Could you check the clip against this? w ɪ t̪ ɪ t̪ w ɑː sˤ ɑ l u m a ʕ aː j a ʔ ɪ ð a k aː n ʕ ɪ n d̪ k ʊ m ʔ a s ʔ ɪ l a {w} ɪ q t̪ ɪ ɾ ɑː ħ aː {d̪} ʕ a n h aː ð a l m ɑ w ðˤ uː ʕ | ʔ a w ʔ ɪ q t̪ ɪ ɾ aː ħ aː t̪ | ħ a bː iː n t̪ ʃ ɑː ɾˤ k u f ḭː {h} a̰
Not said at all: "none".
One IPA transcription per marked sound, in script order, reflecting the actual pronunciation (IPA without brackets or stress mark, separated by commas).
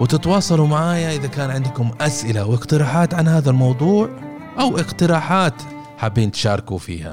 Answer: w, t̪, h